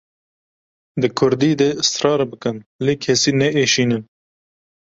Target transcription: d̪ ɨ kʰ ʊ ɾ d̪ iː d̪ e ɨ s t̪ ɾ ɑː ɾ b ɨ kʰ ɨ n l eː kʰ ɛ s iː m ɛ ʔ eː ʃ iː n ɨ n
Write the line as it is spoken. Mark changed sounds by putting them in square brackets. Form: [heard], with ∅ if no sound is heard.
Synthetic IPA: d̪ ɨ kʰ ʊ ɾ d̪ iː d̪ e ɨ s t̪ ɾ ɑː ɾ b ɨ [k] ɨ n l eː kʰ ɛ s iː [n] ɛ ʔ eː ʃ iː n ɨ n